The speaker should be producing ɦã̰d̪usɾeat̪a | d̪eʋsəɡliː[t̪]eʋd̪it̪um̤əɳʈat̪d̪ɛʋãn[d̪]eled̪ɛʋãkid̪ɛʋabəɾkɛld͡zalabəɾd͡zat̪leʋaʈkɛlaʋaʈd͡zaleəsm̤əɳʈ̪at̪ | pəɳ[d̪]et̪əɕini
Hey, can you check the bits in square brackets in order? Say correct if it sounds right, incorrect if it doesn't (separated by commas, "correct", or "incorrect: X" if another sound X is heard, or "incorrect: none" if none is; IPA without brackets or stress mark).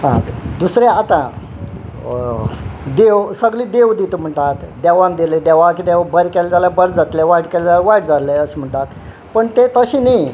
incorrect: d̪, correct, incorrect: t̪